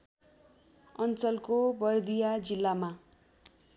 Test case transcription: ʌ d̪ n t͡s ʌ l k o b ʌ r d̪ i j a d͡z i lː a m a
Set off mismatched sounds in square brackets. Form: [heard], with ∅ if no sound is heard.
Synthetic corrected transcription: ʌ [∅] n t͡s ʌ l k o b ʌ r d̪ i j a d͡z i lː a m a